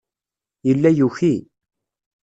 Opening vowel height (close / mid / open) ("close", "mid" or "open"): mid